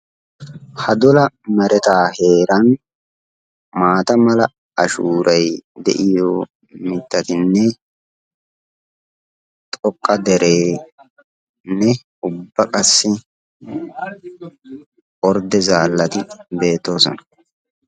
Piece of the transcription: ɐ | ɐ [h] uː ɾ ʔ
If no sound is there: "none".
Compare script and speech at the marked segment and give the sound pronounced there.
ʃ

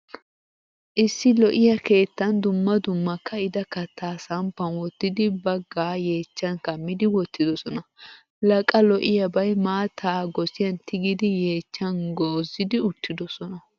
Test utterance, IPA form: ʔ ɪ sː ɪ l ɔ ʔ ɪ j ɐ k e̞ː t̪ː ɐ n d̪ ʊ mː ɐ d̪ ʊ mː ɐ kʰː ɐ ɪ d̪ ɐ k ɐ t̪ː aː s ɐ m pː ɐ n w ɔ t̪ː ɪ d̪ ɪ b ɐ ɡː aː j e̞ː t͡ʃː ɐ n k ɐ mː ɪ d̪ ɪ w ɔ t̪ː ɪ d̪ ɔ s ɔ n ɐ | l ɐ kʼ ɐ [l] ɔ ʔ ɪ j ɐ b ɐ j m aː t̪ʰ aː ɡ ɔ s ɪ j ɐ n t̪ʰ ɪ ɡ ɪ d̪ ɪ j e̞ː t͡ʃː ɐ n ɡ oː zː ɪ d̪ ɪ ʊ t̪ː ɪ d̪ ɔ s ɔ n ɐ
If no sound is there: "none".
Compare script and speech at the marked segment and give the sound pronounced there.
l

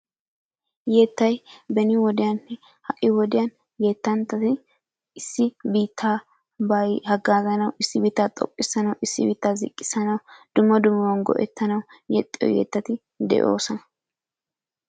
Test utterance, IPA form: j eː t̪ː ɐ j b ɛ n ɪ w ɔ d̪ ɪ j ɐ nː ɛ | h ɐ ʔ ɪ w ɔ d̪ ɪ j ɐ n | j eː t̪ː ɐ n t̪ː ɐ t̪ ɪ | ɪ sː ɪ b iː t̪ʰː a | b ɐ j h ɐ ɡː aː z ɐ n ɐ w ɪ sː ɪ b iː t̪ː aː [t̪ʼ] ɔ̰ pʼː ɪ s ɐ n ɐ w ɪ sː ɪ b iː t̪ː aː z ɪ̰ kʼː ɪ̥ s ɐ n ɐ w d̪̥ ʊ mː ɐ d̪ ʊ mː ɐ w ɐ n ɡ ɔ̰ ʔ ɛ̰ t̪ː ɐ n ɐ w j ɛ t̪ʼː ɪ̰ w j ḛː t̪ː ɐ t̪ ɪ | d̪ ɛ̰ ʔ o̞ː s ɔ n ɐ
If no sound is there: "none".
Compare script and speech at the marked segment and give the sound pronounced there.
t̪ʼ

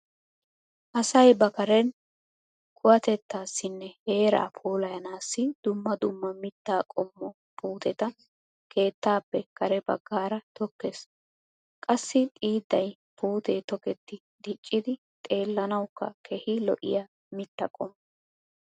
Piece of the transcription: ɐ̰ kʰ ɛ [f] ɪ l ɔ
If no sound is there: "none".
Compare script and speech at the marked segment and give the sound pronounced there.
h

